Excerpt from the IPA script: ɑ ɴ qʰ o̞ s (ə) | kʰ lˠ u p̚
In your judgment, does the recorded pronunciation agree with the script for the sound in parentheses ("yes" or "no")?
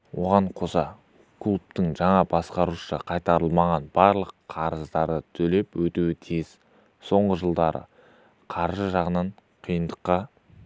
no